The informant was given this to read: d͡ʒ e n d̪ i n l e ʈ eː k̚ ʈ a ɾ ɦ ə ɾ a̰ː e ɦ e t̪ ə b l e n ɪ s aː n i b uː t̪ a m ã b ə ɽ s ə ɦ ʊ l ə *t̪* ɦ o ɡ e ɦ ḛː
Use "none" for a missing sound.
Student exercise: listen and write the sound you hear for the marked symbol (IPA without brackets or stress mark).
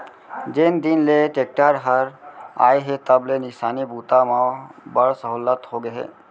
t̪